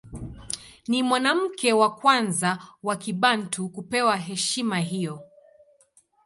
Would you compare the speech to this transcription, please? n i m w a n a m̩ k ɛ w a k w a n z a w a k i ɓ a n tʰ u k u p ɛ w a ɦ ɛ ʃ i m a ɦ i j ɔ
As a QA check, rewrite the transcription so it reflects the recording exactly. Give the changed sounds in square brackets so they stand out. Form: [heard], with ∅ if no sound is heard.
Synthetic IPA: n i m w a n a m̩ k ɛ w a k w a n z a w a k i ɓ a n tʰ u k u p ɛ w a ɦ ɛ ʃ i m a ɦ i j ɔ